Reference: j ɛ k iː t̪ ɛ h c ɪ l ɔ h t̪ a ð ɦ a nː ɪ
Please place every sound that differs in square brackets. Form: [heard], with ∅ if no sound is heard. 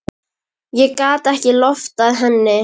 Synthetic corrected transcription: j ɛ k [aː] t̪ ɛ h c ɪ l ɔ [f] t̪ a ð ɦ [ɛ] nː ɪ

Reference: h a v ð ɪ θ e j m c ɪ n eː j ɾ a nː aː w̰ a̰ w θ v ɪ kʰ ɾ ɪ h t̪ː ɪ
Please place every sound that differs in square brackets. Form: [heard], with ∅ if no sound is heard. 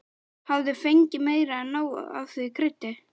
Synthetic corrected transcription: h a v ð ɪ [f] e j [ɲ] c ɪ [m] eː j ɾ a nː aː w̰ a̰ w θ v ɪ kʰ ɾ ɪ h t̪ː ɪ

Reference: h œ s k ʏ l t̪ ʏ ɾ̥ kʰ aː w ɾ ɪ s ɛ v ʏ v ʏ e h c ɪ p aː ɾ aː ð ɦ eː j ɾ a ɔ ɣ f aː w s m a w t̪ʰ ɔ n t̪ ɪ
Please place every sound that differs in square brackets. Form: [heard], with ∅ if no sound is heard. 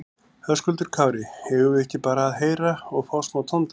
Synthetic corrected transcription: h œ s k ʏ l t̪ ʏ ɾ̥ kʰ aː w ɾ ɪ [h] ɛ v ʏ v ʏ [ɛ] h c ɪ p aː ɾ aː ð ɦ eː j ɾ a ɔ ɣ f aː w s m a w t̪ʰ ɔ n t̪ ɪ

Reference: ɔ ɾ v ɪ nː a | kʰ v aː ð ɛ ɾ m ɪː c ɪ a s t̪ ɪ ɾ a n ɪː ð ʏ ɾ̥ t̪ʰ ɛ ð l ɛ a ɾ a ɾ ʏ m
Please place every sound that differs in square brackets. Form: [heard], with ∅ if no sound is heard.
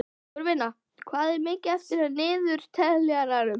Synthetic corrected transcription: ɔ ɾ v ɪ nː a | kʰ v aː ð ɛ ɾ m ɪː c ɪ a [f] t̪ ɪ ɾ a n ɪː ð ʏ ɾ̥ t̪ʰ ɛ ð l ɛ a ɾ a ɾ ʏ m

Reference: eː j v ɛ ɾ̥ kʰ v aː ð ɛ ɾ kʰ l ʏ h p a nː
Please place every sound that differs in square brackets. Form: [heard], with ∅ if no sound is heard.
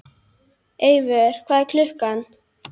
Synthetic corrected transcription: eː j v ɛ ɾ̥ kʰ v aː ð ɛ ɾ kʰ l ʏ h [k] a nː

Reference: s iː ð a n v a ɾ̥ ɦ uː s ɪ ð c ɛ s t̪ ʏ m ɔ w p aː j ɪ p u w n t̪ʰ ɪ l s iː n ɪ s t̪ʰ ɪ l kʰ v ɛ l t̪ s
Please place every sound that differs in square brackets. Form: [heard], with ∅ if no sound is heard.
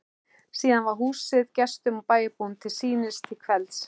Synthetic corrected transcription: s iː ð a n v a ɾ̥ ɦ uː s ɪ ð c ɛ s t̪ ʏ m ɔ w p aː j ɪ p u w n t̪ʰ ɪ l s iː n ɪ s t̪ʰ ɪ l kʰ v ɛ l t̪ s

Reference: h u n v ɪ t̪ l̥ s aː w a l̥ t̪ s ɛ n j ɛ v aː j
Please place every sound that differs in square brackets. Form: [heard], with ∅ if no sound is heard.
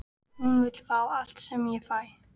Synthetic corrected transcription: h u n v ɪ t̪ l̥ [f] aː w a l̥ t̪ s ɛ [m] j ɛ [f] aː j

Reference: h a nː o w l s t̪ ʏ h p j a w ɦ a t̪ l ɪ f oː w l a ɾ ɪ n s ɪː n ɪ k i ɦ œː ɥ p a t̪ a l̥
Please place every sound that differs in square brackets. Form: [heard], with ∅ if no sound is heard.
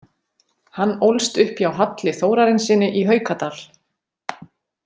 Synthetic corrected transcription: h a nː o w l s t̪ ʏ h p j a w ɦ a t̪ l ɪ [θ] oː w [ɾ] a ɾ ɪ n s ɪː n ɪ [ʔ] i ɦ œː ɥ [k] a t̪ a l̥

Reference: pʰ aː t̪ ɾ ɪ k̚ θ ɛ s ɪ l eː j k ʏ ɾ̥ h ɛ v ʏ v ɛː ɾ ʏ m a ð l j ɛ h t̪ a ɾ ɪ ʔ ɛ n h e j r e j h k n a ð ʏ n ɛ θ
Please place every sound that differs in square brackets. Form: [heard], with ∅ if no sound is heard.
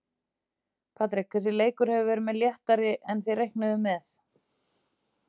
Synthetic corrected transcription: pʰ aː t̪ ɾ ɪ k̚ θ ɛ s ɪ l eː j k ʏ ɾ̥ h ɛ v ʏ v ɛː ɾ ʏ m [ɛ] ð l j ɛ h t̪ a ɾ ɪ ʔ ɛ n [θ] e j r e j h k n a ð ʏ [m] ɛ θ

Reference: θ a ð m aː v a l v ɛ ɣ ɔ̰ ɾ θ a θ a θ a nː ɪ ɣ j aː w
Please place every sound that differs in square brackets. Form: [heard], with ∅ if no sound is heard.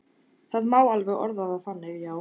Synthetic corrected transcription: θ a ð m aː [w] a l v ɛ ɣ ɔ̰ ɾ [ð] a [ð] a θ a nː ɪ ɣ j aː w

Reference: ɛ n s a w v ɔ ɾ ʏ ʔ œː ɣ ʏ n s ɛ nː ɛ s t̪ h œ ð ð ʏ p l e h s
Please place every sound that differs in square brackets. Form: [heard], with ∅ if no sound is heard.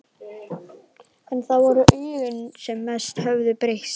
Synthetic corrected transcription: ɛ n [θ] a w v ɔ ɾ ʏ ʔ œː ɣ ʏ n s ɛ [mː] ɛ s t̪ h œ [v] ð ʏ p [ɾ] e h s

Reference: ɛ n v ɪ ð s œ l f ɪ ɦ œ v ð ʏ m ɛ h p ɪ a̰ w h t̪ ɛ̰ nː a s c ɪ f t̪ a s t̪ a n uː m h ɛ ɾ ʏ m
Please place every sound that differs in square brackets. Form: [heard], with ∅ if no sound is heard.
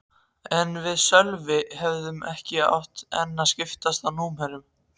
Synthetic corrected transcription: ɛ n v ɪ ð s œ l [v] ɪ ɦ [ɛ] v ð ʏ m ɛ h [c] ɪ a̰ w h t̪ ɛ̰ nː a s c ɪ f t̪ a s t̪ a n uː m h ɛ ɾ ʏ m

